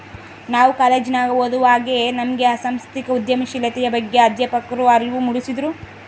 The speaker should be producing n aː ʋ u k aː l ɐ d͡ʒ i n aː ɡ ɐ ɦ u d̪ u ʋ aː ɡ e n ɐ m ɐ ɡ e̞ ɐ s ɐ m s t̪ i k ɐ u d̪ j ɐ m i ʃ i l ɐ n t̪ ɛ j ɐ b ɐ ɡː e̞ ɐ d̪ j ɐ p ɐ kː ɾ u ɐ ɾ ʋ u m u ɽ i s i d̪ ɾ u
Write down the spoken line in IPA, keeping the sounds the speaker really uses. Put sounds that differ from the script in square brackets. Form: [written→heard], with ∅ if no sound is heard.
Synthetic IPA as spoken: n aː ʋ u k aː l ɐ d͡ʒ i n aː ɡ ɐ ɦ [u→o] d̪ u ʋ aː ɡ e n ɐ m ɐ ɡ e̞ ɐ s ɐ m s t̪ i k ɐ u d̪ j ɐ m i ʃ i l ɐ [n→∅] t̪ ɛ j ɐ b ɐ ɡː e̞ ɐ d̪ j ɐ p ɐ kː ɾ u ɐ ɾ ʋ u m u ɽ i s i d̪ ɾ u